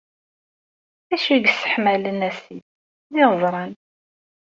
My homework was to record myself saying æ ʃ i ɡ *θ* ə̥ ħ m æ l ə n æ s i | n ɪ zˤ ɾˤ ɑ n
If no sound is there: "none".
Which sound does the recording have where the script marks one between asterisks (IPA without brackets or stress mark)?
s